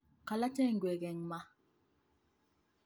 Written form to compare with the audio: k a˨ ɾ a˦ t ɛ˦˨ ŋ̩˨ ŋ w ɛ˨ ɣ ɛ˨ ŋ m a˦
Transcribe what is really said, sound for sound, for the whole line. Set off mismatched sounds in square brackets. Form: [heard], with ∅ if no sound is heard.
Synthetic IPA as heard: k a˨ [l] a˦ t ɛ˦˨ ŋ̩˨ [ɡ] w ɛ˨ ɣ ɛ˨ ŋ m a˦